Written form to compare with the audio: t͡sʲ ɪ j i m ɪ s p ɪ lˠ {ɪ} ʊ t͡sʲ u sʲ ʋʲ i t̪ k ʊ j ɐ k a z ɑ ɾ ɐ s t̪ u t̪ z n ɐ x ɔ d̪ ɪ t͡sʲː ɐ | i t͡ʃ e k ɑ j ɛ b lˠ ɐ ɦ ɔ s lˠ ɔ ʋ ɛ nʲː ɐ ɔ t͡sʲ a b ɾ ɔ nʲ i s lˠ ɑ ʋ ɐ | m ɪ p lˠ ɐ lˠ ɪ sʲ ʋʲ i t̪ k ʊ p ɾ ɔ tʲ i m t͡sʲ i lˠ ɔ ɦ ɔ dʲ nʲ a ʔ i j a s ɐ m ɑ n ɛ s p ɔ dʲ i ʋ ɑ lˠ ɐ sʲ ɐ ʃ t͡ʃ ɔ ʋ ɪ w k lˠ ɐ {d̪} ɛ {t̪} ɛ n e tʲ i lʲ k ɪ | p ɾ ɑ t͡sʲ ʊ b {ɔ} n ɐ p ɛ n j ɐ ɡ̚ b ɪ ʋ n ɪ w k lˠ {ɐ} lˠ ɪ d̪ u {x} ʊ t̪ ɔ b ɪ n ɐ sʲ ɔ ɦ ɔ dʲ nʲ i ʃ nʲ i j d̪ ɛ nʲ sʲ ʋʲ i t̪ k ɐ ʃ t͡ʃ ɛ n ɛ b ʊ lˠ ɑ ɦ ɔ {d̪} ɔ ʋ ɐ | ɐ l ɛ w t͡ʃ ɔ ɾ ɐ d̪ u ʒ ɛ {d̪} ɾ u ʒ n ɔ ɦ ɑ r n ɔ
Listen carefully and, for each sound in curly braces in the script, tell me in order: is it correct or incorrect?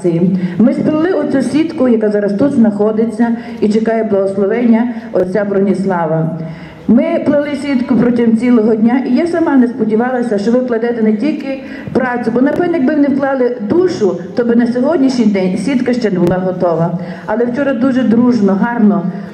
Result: correct, correct, correct, correct, incorrect: ɑ, incorrect: ʃ, incorrect: t̪, correct

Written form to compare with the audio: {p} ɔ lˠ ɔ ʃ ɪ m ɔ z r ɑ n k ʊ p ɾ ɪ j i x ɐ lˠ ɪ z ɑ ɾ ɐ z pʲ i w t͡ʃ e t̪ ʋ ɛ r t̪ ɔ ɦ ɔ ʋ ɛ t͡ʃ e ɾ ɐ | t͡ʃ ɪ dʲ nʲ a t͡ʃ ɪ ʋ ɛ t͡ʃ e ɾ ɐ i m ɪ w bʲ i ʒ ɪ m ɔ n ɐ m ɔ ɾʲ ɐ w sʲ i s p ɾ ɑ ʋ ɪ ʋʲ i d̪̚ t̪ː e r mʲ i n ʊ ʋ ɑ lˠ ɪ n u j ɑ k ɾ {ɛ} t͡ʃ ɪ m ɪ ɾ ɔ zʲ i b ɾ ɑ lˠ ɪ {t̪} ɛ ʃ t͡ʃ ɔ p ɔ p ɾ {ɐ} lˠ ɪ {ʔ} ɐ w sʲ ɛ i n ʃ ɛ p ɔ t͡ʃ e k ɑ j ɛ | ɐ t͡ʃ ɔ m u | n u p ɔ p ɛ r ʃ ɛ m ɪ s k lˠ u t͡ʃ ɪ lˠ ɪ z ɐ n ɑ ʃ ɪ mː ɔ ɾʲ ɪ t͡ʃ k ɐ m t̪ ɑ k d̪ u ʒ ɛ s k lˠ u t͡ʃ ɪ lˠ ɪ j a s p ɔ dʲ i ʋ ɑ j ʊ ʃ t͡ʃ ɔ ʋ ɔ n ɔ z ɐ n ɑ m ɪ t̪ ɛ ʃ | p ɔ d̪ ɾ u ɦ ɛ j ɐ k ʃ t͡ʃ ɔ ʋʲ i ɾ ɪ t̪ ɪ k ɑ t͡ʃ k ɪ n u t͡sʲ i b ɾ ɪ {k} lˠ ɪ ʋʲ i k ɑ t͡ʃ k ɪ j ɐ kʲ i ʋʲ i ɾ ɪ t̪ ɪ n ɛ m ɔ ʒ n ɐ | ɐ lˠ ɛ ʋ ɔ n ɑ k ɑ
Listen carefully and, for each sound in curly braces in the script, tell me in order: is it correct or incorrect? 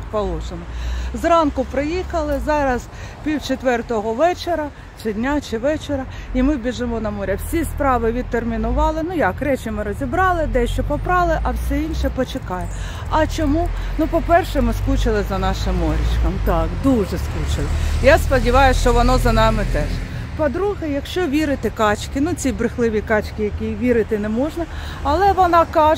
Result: correct, correct, incorrect: d̪, incorrect: ɑ, correct, incorrect: x

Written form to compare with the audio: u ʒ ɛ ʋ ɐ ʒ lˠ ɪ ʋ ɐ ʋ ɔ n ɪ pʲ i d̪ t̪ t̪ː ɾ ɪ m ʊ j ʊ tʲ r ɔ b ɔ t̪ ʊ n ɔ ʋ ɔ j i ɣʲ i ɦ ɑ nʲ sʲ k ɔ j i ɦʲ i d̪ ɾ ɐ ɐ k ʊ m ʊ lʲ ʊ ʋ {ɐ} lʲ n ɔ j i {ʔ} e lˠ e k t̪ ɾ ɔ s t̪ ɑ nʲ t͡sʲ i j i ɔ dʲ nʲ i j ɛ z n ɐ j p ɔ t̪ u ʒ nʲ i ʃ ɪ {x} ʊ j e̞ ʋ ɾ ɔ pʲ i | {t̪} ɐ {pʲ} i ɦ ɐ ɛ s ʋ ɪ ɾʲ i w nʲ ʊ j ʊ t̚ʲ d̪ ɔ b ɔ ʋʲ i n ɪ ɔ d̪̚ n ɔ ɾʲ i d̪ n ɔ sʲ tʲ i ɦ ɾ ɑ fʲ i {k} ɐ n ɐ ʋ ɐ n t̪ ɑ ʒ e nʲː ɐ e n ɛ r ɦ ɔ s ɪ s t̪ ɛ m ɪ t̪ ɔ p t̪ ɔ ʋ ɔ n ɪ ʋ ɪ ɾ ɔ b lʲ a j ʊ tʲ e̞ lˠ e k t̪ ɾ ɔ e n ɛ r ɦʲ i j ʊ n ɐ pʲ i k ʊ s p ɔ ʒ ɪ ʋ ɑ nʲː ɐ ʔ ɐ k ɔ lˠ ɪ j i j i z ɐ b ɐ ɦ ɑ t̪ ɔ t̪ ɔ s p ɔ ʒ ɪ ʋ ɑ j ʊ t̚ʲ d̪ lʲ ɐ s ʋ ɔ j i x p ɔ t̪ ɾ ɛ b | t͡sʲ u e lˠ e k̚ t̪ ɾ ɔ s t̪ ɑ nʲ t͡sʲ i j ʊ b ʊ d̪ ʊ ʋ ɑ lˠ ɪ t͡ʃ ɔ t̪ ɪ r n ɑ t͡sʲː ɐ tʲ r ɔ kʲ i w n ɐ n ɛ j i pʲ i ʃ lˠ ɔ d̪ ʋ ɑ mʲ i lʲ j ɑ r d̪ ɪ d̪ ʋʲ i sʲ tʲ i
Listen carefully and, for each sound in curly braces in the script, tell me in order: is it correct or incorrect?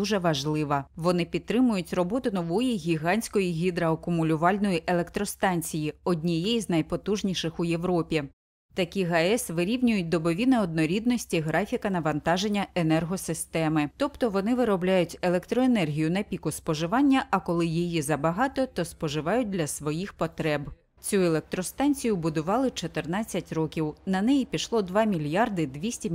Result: incorrect: ɑ, correct, correct, correct, incorrect: kʲ, correct

